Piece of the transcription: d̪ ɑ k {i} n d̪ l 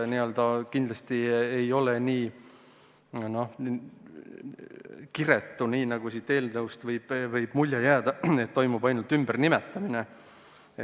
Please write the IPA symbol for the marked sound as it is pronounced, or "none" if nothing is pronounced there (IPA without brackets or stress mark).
i